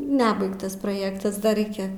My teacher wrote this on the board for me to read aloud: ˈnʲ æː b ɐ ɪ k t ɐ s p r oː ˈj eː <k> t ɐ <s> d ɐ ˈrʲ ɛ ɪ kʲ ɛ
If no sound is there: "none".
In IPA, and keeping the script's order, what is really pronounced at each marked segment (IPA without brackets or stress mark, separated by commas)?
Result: k, s